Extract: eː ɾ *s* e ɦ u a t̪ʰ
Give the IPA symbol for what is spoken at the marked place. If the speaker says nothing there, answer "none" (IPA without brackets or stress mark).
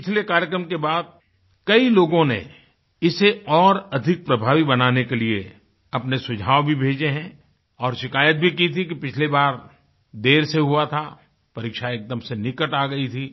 s